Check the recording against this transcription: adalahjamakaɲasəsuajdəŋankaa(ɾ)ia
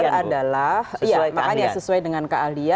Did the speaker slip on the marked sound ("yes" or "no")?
yes